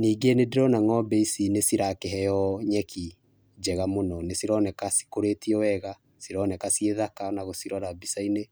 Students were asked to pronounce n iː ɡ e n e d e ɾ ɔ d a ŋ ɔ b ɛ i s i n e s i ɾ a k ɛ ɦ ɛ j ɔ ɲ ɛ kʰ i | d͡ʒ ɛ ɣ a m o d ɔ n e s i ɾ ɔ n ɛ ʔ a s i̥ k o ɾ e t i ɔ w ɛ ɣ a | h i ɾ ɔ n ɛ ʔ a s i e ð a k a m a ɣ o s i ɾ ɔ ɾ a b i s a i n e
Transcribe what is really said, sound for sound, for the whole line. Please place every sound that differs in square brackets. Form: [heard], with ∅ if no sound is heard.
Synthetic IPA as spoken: n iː ɡ e n e d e ɾ ɔ [n] a ŋ ɔ b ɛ i s i n e s i ɾ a k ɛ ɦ ɛ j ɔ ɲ ɛ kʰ i | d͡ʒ ɛ ɣ a m o [n] ɔ n e s i ɾ ɔ n ɛ [k] a s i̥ k o ɾ e t i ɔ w ɛ ɣ a | [s] i ɾ ɔ n ɛ [k] a s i e ð a k a [n] a ɣ o s i ɾ ɔ ɾ a b i s a i n e